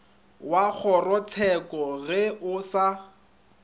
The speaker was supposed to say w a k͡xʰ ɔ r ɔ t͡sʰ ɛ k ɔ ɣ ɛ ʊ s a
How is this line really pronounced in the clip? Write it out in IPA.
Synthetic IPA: w a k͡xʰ ɔ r ɔ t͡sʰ ɛ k ɔ ɣ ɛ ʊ s a